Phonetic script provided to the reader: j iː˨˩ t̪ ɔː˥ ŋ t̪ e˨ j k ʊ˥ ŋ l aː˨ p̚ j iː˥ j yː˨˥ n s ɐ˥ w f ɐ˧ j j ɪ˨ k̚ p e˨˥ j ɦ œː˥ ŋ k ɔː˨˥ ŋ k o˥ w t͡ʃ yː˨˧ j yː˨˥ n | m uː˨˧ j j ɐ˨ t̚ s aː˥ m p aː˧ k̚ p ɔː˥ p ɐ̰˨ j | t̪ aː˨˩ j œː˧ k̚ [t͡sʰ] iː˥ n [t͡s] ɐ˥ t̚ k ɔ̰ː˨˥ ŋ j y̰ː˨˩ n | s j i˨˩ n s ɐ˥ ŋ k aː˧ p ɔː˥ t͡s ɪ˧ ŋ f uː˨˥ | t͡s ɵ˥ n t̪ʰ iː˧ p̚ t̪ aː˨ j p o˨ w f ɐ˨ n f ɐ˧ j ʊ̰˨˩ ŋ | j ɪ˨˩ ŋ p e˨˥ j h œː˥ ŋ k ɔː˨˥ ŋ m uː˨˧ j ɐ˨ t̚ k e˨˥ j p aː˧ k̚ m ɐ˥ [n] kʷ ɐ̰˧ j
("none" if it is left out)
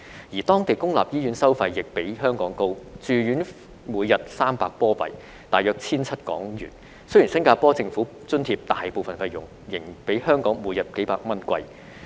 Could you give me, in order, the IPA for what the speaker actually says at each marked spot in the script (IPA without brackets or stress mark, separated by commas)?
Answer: t͡sʰ, t͡sʰ, n